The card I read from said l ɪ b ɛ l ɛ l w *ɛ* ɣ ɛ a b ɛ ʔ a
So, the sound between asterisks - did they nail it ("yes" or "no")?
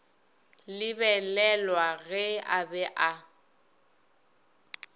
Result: no